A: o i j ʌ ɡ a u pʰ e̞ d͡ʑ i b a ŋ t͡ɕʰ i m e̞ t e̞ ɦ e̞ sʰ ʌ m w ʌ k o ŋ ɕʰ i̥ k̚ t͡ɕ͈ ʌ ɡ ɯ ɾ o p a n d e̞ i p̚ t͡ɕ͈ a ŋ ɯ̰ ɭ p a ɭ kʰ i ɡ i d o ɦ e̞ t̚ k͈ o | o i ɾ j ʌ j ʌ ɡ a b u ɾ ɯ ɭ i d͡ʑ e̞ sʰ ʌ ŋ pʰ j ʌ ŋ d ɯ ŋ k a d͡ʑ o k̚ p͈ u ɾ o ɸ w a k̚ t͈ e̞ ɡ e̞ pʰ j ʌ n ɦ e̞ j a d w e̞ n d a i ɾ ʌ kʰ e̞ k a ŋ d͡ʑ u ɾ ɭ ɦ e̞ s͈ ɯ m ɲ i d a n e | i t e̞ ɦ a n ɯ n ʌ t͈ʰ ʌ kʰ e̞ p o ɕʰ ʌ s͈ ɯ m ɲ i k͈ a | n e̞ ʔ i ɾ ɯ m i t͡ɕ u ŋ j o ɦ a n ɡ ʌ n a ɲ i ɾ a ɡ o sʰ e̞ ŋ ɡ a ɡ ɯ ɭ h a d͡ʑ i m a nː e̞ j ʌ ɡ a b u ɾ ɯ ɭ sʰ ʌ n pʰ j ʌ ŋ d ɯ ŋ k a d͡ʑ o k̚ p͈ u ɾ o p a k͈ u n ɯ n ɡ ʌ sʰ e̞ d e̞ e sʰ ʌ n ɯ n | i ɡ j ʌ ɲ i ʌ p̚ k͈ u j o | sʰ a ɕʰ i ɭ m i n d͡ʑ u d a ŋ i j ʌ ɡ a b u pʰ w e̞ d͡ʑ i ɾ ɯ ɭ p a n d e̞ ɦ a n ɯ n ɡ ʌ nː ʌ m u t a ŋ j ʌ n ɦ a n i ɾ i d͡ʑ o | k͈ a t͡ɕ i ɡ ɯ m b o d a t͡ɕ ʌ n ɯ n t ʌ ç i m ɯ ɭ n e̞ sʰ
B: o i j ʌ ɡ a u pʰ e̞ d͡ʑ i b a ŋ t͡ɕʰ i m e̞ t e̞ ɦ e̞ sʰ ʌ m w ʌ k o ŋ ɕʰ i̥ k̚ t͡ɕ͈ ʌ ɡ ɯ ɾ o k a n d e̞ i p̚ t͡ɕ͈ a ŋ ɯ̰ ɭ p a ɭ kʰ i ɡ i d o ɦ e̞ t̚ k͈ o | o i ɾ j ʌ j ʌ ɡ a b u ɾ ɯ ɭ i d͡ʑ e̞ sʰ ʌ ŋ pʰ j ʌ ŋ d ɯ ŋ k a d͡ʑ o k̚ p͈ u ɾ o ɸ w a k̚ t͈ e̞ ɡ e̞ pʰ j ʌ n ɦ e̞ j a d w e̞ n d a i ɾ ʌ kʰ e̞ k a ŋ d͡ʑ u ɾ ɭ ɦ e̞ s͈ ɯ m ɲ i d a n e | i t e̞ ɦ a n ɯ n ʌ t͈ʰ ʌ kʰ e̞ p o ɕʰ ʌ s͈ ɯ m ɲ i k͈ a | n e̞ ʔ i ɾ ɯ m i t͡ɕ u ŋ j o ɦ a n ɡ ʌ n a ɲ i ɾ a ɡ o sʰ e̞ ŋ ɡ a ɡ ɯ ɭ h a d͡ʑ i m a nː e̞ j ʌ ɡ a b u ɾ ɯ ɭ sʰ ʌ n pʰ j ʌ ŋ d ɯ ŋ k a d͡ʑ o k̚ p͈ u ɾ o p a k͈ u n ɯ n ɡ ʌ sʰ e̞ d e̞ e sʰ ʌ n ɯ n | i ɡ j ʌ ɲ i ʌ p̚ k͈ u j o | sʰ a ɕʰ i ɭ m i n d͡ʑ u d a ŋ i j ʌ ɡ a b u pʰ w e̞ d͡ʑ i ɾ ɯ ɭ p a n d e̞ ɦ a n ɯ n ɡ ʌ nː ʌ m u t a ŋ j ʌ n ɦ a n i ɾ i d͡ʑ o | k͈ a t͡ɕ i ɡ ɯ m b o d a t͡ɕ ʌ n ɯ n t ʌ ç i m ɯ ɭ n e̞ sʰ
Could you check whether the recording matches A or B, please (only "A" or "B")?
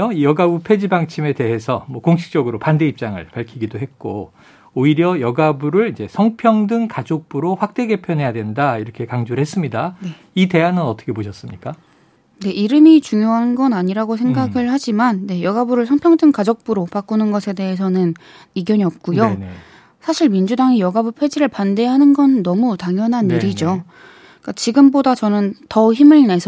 A